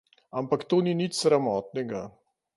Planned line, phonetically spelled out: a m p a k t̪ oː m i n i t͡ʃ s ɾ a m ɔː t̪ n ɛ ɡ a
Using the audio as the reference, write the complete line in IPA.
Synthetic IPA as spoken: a m p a k t̪ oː n i n i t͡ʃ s ɾ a m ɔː t̪ n ɛ ɡ a

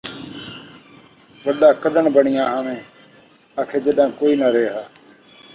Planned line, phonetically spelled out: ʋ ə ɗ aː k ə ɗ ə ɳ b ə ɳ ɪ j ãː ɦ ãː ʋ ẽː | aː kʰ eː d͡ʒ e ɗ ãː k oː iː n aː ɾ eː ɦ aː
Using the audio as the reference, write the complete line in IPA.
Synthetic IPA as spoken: ʋ ə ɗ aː k ə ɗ ə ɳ b ə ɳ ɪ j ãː ɦ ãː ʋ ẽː | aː kʰ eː d͡ʒ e ɗ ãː k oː iː n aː ɾ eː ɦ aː

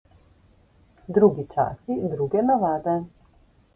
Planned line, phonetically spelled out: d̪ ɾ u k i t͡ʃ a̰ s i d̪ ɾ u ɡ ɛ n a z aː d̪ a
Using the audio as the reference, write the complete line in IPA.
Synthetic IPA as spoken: d̪ ɾ u ɡ i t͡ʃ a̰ s i d̪ ɾ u ɡ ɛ n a v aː d̪ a

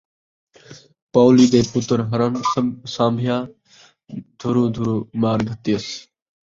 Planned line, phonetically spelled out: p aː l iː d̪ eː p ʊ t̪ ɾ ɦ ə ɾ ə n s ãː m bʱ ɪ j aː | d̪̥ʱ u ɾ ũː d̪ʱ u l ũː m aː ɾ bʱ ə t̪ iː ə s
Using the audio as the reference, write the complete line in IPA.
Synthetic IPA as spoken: p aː l iː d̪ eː p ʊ t̪ ɾ ɦ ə ɾ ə n s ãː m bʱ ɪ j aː | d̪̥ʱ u ɾ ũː d̪ʱ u ɾ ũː m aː ɾ ɡʱ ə t̪ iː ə s

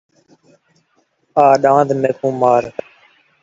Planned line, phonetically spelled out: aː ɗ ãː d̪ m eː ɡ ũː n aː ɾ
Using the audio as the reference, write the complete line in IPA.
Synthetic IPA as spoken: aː ɗ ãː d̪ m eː k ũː m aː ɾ

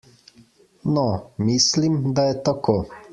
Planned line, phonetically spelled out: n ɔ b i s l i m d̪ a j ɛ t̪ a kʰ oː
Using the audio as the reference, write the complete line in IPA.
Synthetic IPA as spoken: n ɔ m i s l i m d̪ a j ɛ t̪ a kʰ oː

